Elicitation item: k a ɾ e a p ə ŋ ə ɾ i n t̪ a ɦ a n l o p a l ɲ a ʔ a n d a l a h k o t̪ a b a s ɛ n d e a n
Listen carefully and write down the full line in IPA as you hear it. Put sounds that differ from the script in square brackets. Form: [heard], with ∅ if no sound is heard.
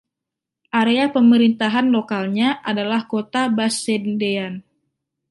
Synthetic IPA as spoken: [ʔ] a ɾ e a p ə [m] ə ɾ i n t̪ a ɦ a n l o [k] a l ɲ a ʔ a [∅] d a l a h k o t̪ a b a s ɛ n d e a n